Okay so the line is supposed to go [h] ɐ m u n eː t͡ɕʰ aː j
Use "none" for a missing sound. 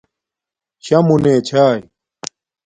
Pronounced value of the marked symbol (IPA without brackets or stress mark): ɕ